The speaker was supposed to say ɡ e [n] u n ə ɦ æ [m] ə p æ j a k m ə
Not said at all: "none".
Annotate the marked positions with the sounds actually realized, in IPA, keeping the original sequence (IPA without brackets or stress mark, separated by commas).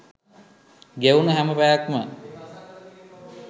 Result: none, m